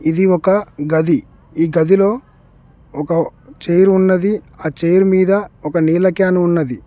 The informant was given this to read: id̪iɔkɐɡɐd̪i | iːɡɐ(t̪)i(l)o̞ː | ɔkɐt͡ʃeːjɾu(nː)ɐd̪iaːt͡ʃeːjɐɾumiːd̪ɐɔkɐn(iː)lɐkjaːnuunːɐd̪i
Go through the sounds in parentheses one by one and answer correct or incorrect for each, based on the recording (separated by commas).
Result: incorrect, correct, correct, correct